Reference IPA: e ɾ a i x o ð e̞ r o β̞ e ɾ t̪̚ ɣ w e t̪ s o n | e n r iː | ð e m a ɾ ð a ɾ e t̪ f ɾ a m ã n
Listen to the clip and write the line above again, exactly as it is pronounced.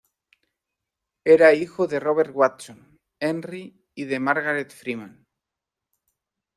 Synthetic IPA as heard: e ɾ a i x o ð e̞ r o β̞ e ɾ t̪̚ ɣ w a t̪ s o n | e n r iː | ð e m a ɾ ɣ a ɾ e t̪ f ɾ i m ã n